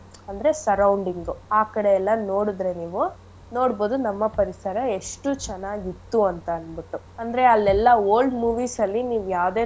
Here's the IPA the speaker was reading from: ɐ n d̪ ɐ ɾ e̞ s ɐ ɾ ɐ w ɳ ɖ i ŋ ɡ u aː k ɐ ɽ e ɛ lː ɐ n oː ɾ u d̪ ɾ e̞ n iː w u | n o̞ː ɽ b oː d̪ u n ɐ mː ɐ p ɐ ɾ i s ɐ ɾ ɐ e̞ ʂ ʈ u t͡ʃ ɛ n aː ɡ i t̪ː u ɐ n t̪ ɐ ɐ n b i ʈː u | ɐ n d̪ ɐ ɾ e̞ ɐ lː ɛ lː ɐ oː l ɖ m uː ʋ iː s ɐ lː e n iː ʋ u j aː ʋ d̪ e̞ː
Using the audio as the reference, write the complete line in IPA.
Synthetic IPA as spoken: ɐ n d̪ ɐ ɾ e̞ s ɐ ɾ ɐ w ɳ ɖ i ŋ ɡ u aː k ɐ ɽ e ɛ lː ɐ n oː ɽ u d̪ ɾ e̞ n iː ʋ u | n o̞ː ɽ b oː d̪ u n ɐ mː ɐ p ɐ ɾ i s ɐ ɾ ɐ e̞ ʂ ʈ u t͡ʃ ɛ n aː ɡ i t̪ː u ɐ n t̪ ɐ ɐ n b i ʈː u | ɐ n d̪ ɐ ɾ e̞ ɐ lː ɛ lː ɐ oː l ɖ m uː ʋ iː s ɐ lː i n iː ʋ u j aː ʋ d̪ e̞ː